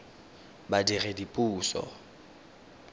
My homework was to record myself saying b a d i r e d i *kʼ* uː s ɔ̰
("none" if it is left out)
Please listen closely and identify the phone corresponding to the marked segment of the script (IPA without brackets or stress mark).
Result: pʼ